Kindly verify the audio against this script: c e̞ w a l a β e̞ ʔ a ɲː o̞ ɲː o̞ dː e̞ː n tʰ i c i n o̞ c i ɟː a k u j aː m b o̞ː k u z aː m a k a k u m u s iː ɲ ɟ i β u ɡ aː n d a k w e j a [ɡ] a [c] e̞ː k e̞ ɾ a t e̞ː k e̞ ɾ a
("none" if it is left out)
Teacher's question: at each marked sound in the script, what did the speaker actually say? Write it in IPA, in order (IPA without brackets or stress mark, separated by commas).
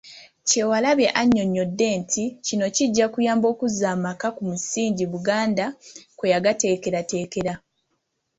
ɡ, t